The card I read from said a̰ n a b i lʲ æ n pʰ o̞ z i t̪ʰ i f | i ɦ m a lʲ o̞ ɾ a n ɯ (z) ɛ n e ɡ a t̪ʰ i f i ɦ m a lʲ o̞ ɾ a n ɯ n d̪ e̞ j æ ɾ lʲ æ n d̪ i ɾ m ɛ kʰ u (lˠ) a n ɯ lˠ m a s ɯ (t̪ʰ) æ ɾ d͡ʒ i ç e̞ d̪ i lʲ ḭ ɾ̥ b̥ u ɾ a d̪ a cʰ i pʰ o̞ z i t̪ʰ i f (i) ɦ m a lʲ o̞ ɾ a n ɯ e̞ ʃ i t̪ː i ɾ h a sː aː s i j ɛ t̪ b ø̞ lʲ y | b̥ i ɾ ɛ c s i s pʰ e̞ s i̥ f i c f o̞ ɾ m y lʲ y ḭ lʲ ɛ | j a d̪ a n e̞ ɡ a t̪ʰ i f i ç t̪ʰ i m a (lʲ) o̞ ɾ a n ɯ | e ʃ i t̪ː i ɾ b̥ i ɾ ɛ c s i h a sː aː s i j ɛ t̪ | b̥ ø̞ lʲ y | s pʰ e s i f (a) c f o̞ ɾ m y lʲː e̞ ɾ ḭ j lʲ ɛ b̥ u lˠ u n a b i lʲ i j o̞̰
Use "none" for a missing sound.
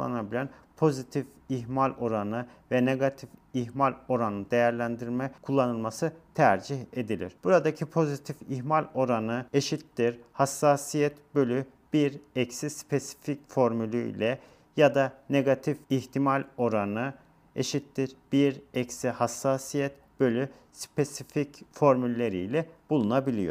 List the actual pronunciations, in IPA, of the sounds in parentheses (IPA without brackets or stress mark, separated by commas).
v, lˠː, t̪ʰ, i, lʲ, i